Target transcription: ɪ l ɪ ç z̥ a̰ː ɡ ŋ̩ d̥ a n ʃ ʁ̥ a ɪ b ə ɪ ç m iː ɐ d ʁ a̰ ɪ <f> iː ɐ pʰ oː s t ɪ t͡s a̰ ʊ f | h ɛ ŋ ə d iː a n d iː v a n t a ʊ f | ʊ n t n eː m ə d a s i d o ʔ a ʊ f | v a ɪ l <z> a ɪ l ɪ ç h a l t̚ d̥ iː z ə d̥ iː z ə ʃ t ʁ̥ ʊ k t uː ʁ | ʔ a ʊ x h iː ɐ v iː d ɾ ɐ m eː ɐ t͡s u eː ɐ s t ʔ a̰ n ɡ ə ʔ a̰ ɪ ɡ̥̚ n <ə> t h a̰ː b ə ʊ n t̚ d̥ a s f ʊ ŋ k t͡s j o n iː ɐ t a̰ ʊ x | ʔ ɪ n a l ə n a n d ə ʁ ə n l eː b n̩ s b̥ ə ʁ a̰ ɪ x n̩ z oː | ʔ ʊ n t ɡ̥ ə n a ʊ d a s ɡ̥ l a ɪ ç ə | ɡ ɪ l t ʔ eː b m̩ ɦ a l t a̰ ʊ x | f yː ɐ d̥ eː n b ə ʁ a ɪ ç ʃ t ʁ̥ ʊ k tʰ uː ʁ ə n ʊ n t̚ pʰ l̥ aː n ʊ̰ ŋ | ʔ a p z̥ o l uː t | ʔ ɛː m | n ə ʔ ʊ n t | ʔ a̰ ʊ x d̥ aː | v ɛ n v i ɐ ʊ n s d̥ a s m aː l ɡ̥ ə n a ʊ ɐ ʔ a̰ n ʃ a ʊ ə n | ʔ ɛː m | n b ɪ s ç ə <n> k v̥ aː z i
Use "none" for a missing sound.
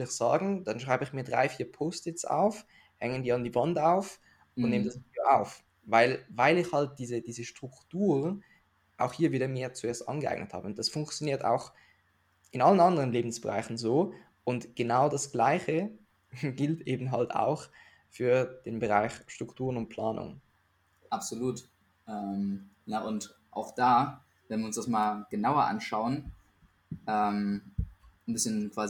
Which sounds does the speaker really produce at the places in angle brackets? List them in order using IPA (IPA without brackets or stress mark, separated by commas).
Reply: f, v, ə, n